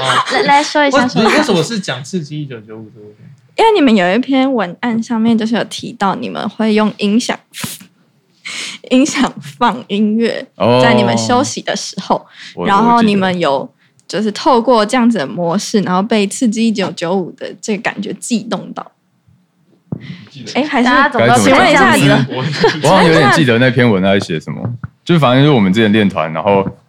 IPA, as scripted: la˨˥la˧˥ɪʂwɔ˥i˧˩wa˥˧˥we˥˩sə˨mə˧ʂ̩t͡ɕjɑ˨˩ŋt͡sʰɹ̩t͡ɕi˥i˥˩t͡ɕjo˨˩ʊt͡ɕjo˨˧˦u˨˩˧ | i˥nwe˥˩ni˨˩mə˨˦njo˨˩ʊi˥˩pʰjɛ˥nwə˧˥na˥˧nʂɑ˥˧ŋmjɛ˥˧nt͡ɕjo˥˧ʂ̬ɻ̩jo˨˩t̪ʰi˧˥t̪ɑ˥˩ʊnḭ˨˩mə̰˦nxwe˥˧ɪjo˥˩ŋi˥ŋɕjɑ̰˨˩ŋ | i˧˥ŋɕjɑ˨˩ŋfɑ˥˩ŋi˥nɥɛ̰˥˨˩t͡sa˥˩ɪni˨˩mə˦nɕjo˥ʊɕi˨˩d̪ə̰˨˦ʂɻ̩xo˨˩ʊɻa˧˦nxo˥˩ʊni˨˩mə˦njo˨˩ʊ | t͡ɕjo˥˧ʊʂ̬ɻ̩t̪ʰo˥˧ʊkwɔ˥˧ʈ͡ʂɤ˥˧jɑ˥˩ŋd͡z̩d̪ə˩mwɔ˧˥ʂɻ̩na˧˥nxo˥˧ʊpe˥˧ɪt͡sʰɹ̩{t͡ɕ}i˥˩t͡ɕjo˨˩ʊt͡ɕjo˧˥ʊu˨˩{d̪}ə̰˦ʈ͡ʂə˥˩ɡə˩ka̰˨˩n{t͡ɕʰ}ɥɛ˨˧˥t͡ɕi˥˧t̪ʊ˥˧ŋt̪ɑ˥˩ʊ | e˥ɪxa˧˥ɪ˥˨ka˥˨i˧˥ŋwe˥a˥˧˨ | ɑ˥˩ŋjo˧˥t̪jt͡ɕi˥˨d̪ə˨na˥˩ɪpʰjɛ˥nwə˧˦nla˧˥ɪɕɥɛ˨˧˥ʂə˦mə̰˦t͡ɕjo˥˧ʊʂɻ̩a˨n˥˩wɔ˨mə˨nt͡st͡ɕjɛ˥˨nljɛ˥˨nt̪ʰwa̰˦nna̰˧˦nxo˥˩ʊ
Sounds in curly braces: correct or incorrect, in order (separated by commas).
correct, correct, incorrect